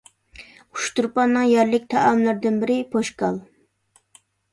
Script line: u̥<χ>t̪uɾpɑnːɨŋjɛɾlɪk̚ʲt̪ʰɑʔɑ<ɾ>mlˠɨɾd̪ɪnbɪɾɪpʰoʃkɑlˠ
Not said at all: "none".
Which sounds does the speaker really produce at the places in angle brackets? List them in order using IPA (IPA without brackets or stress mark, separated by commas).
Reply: ʃ, none